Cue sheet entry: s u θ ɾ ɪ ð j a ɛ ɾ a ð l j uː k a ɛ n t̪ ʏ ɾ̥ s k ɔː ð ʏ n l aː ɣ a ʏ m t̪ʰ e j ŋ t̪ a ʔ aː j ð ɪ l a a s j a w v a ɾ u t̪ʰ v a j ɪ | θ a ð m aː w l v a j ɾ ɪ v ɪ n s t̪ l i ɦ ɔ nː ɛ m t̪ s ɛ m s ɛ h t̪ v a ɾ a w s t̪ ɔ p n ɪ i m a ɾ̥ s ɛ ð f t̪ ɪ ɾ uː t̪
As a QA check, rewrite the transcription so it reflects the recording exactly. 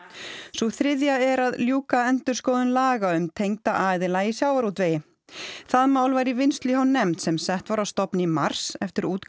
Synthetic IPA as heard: s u θ ɾ ɪ ð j a ɛ ɾ a ð l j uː k a ɛ n t̪ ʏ ɾ̥ s k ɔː ð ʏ n l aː ɣ a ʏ m t̪ʰ e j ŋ t̪ a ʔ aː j ð ɪ l a i s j a w v a ɾ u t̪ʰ v e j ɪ | θ a ð m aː w l v a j ɾ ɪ v ɪ n s t̪ l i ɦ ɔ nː ɛ m t̪ s ɛ m s ɛ h t̪ v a ɾ a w s t̪ ɔ p n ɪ i m a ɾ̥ s ɛ f t̪ ɪ ɾ uː t̪